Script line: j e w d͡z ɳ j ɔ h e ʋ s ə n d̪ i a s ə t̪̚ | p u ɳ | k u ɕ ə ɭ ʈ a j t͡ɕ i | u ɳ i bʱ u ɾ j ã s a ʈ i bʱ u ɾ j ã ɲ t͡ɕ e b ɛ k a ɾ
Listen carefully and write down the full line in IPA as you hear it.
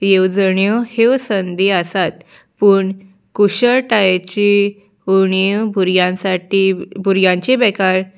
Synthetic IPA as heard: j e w d͡z ɳ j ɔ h e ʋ s ə n d̪ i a s a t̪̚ | p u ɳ | k u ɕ ə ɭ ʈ a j t͡ɕ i | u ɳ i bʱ u ɾ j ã s a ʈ i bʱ u ɾ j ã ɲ t͡ɕ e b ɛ k a ɾ